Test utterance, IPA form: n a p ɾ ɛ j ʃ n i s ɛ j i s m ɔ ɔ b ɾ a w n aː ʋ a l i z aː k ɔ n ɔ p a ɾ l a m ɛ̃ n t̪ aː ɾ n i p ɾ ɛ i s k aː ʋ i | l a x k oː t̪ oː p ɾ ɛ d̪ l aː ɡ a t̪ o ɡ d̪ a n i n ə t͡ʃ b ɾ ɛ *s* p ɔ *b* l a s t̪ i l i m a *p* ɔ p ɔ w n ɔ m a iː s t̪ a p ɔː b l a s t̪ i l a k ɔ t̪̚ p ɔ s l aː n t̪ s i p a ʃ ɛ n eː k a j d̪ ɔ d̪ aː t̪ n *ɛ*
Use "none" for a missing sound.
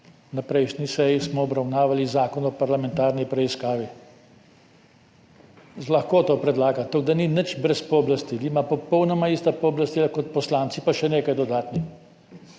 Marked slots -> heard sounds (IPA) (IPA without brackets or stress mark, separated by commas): s, b, p, i